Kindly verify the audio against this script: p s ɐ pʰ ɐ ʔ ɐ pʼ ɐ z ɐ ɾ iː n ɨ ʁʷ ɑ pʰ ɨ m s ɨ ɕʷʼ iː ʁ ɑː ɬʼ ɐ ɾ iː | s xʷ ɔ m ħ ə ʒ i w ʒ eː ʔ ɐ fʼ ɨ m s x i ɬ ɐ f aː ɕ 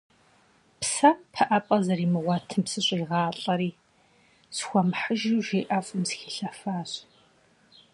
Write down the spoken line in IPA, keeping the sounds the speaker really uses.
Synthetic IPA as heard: p s ɐ pʰ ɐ ʔ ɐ pʼ ɐ z ɐ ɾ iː m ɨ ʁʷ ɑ tʰ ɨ m s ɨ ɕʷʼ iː ʁ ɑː ɬʼ ɐ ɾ iː | s xʷ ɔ m ħ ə ʒ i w ʒ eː ʔ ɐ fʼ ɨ m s x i ɬ ɐ f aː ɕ